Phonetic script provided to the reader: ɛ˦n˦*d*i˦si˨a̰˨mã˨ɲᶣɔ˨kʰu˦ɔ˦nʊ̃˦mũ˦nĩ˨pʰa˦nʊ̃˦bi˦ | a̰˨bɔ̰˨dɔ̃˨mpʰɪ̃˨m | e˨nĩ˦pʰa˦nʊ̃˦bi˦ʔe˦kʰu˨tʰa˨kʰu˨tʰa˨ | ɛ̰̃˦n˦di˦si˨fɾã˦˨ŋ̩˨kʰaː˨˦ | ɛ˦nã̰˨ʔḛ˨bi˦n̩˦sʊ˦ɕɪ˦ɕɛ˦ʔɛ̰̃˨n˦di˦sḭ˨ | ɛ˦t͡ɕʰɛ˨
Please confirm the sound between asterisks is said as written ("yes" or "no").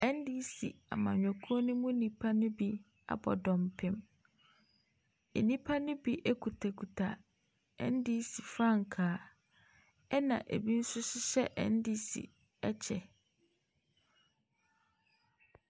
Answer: yes